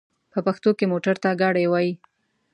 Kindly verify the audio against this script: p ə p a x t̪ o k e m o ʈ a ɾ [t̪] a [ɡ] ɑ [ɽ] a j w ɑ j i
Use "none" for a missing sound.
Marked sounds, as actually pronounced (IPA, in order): t̪, ɡ, ɽ

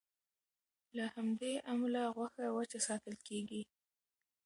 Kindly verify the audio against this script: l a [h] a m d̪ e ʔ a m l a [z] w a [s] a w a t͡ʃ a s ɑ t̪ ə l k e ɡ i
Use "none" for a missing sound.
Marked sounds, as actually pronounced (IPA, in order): h, ɣ, x

